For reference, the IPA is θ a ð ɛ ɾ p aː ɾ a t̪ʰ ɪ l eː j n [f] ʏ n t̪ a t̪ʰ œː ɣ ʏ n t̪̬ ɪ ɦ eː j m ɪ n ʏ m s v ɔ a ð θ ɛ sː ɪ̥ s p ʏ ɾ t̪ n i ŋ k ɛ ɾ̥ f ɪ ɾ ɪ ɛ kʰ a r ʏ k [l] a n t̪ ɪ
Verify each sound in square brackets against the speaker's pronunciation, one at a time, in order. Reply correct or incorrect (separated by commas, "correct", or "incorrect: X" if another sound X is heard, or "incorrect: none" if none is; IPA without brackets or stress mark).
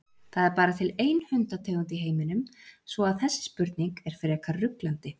incorrect: h, correct